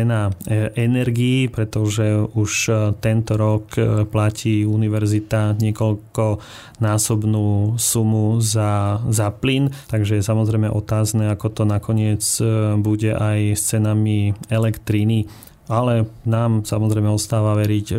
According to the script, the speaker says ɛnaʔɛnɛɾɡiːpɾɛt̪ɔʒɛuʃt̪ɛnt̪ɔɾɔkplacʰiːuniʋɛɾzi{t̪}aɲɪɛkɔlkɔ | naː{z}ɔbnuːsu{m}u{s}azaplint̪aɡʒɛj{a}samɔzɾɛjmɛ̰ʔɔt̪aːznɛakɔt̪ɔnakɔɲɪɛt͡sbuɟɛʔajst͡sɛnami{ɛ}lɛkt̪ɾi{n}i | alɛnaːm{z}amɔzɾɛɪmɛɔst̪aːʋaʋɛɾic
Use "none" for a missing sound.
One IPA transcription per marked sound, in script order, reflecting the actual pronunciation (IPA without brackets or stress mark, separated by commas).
t̪, s, m, z, ɛ, ɛ, n, s